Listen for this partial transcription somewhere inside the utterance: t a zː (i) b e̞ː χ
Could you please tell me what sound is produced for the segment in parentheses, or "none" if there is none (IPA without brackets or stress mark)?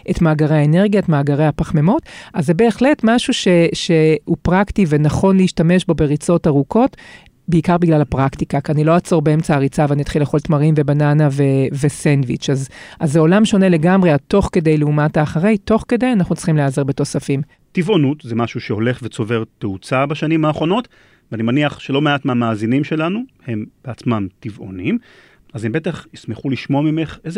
e